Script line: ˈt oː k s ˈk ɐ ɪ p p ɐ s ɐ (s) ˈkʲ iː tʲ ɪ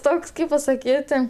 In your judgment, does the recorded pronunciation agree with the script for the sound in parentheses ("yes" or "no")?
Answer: no